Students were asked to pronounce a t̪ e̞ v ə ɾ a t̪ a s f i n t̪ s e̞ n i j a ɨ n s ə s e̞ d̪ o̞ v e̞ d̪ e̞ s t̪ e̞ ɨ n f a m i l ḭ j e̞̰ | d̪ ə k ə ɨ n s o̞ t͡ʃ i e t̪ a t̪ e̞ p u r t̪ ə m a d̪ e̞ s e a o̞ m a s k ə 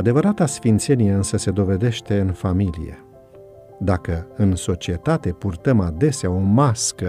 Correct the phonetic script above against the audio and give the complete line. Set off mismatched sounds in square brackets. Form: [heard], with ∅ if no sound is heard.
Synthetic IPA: a [d̪] e̞ v ə ɾ a t̪ a s f i n t̪ s e̞ n i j [e] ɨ n s ə s e̞ d̪ o̞ v e̞ d̪ e̞ [ʃ] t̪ e̞ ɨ n f a m i l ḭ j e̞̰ | d̪ [a] k ə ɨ n s o̞ t͡ʃ i e t̪ a t̪ e̞ p u r t̪ ə m a d̪ e̞ s e a o̞ m a s k ə